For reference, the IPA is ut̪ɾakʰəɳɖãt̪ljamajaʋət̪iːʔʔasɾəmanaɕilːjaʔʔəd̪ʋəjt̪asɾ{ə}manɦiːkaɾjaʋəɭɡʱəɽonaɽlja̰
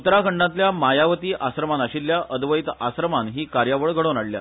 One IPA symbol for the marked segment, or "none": ə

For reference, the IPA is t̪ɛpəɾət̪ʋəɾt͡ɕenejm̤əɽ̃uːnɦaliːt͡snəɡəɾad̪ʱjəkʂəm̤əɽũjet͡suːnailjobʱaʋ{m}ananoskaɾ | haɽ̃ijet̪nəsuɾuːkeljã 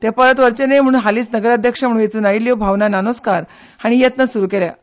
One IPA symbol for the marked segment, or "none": n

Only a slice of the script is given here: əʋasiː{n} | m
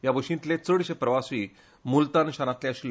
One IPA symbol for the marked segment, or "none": none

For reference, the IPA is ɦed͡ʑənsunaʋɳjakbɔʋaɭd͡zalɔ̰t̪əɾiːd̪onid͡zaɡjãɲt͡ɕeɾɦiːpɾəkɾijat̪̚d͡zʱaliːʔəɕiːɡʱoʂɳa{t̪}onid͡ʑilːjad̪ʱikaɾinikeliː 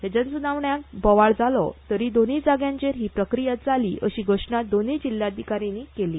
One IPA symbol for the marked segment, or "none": d̪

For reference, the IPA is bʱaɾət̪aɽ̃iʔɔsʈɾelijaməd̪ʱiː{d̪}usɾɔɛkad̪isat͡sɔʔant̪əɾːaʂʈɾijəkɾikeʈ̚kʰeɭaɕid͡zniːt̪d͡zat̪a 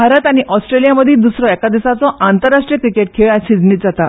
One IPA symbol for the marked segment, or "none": d̪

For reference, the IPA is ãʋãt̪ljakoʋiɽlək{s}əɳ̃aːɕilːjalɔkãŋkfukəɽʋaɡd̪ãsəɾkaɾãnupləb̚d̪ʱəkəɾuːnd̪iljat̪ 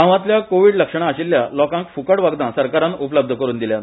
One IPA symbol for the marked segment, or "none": ʂ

